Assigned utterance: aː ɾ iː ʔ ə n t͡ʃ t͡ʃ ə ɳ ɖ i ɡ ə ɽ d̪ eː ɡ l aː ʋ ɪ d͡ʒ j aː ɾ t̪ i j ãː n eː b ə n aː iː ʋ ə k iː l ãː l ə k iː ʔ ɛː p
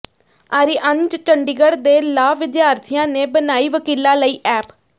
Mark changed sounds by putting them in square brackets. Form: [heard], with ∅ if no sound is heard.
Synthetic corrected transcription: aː ɾ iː ʔ ə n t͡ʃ t͡ʃ ə ɳ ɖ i ɡ ə ɽ d̪ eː [∅] l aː ʋ ɪ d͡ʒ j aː ɾ [t̪ʰ] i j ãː n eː b ə n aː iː ʋ ə k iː l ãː l ə [∅] iː ʔ ɛː p